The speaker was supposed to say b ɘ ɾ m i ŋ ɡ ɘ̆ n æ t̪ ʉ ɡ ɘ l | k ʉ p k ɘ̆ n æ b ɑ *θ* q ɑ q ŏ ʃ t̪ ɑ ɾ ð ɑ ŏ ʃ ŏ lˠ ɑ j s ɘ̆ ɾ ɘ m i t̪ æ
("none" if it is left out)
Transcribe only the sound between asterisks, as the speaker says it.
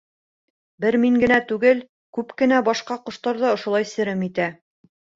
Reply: ʃ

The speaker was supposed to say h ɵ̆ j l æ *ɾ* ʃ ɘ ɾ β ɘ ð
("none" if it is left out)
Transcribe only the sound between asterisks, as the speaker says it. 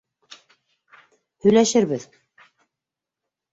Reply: none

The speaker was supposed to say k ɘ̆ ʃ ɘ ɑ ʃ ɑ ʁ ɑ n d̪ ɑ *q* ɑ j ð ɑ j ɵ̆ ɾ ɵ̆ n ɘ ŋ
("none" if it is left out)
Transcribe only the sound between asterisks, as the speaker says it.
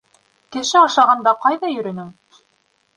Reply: q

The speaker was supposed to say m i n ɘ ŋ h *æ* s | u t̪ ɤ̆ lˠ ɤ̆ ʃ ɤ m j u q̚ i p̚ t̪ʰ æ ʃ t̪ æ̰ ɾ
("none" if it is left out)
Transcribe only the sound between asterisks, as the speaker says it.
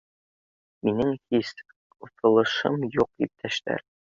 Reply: i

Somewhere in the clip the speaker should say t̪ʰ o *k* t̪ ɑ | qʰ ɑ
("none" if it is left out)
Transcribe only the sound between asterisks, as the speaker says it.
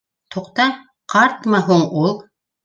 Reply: q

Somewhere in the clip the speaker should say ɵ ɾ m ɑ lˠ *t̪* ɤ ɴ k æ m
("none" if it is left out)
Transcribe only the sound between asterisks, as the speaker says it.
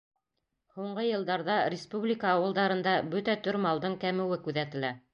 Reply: d̪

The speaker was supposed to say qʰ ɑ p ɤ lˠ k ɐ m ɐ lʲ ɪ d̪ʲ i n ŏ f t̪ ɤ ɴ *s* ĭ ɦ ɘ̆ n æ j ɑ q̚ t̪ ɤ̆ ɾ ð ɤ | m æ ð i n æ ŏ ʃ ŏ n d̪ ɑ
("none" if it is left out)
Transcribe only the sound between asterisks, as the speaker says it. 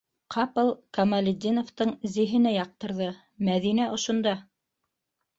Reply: z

